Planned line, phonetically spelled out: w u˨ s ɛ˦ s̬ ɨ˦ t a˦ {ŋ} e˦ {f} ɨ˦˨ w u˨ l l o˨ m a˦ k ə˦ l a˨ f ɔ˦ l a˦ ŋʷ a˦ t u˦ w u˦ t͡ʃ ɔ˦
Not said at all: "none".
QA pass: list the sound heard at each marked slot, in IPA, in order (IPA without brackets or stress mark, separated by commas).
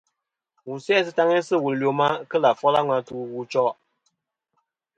ŋ, s